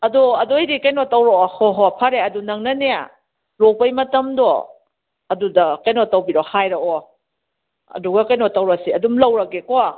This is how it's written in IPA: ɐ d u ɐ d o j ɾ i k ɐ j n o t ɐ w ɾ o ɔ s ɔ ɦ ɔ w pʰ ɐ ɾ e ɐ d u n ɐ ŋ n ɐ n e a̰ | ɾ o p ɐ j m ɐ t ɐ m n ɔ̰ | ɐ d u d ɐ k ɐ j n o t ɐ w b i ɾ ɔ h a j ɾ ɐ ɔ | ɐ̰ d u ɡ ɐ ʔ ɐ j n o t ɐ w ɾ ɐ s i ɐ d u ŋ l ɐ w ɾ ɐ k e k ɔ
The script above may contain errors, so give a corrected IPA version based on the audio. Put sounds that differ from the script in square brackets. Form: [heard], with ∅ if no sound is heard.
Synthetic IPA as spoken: ɐ d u ɐ d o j ɾ i k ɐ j n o t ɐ w ɾ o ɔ [h] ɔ ɦ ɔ [∅] pʰ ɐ ɾ e ɐ d u n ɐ ŋ n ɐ n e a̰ | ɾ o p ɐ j m ɐ t ɐ m [d] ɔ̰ | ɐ d u d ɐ k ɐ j n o t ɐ w b i ɾ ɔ h a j ɾ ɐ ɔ | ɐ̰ d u ɡ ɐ [k] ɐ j n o t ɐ w ɾ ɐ s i ɐ d u [m] l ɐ w ɾ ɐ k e k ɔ